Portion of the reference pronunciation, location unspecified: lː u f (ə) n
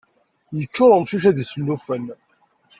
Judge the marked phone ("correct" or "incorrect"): correct